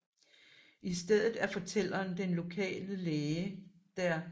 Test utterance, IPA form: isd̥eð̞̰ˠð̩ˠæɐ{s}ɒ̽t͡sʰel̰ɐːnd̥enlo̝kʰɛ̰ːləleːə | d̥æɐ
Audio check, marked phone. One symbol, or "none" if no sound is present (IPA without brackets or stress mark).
f